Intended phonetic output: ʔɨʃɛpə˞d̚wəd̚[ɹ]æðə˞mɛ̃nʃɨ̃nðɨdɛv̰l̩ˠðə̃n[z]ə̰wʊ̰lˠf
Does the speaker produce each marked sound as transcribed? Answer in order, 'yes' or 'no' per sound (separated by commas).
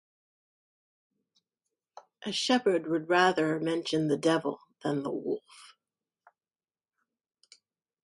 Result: yes, no